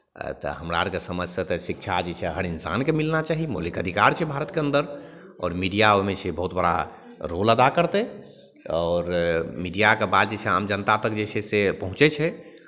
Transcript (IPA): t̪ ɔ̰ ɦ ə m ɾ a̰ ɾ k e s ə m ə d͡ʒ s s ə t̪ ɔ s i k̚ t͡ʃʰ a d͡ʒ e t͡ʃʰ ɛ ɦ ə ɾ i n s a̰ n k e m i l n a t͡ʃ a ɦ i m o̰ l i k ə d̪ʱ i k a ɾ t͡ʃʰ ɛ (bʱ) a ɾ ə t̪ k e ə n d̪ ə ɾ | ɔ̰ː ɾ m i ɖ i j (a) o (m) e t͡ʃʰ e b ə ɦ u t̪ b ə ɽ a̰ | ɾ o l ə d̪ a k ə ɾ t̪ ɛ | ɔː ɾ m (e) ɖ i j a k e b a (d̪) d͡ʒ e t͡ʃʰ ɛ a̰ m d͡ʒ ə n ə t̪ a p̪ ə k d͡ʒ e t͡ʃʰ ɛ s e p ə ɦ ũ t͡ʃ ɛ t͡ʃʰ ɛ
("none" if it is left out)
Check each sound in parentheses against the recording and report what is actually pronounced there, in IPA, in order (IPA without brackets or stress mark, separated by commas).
bʱ, a, m, i, d̪